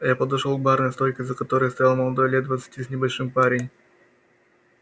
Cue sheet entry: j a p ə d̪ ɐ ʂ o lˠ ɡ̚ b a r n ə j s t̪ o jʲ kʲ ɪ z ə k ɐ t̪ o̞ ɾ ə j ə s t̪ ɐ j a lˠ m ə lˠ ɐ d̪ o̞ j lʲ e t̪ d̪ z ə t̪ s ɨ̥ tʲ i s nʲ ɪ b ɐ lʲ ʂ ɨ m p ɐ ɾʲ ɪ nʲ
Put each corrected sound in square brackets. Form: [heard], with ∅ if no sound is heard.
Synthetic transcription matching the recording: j a p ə d̪ ɐ ʂ o lˠ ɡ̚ b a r n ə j s t̪ o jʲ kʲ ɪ z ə k ɐ t̪ o̞ ɾ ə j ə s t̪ ɐ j a lˠ m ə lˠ ɐ d̪ o̞ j lʲ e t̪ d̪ [v] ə t̪ s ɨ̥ tʲ i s nʲ ɪ b ɐ lʲ ʂ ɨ m p [a] ɾʲ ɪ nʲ